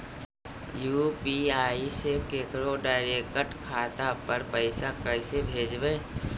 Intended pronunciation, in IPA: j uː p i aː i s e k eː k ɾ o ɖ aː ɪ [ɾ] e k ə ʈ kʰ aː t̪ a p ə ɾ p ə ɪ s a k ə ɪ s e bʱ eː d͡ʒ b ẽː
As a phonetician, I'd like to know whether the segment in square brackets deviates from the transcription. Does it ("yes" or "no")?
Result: no